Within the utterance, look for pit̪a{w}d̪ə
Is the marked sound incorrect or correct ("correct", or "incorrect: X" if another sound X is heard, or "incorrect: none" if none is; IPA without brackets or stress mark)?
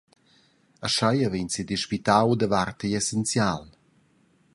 correct